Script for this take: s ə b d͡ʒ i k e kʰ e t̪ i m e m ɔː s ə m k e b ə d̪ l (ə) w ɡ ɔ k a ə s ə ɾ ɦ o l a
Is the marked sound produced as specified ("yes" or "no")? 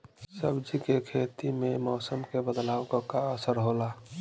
no